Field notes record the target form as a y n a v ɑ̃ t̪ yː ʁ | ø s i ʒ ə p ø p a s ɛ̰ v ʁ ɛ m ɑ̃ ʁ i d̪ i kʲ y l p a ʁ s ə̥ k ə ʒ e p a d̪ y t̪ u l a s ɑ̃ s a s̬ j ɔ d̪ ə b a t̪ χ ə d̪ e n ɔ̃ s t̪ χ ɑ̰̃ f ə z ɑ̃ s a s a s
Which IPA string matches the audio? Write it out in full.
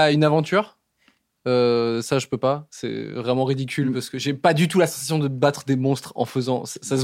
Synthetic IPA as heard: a y n a v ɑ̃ t̪ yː ʁ | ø s a ʒ ə p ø p a s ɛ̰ v ʁ ɛ m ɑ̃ ʁ i d̪ i kʲ y l p a ʁ s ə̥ k ə ʒ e p a d̪ y t̪ u l a s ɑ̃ s a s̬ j ɔ̃ d̪ ə b a t̪ χ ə d̪ e m ɔ̃ s t̪ χ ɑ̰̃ f ə z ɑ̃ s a s a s